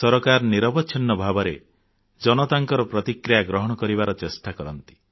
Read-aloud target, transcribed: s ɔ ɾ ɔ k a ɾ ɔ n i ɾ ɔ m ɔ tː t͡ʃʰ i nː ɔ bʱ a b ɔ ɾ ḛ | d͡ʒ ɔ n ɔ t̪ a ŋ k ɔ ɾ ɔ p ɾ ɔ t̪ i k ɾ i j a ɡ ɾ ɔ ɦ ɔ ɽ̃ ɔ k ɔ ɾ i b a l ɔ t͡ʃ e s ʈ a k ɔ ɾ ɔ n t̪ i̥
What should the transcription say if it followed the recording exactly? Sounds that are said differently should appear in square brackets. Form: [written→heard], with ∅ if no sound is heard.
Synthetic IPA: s ɔ ɾ ɔ k a ɾ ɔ n i ɾ ɔ [m→b] ɔ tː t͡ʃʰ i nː ɔ bʱ a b ɔ ɾ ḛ | d͡ʒ ɔ n ɔ t̪ a ŋ k ɔ ɾ ɔ p ɾ ɔ t̪ i k ɾ i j a ɡ ɾ ɔ ɦ ɔ ɽ̃ ɔ k ɔ ɾ i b a [l→ɾ] ɔ t͡ʃ e s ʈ a k ɔ ɾ ɔ n t̪ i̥